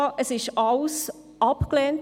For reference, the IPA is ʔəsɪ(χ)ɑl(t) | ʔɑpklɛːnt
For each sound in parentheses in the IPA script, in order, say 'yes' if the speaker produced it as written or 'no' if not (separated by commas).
no, no